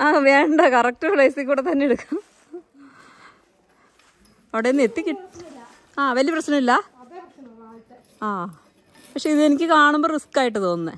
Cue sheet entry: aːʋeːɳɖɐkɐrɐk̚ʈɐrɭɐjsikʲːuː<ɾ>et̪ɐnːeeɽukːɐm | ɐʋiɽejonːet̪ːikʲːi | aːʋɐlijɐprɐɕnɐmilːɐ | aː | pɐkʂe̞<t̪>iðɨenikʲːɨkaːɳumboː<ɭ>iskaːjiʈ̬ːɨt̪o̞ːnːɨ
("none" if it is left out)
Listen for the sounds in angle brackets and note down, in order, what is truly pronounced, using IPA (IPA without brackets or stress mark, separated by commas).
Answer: ɽ, none, r